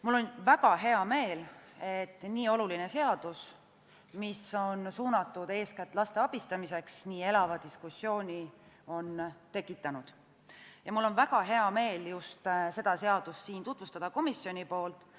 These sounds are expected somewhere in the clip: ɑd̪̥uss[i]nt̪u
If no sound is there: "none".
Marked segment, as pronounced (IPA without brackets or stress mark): iː